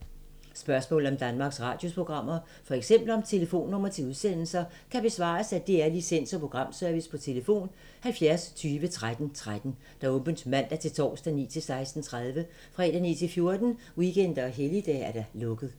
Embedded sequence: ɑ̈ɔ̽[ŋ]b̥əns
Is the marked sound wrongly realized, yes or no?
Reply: yes